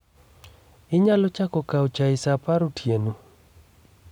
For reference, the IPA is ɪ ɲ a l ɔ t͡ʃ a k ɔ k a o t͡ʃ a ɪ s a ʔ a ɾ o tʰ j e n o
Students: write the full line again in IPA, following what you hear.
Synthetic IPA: ɪ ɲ a l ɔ t͡ʃ a k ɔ k a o t͡ʃ a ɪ s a p a ɾ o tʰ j e n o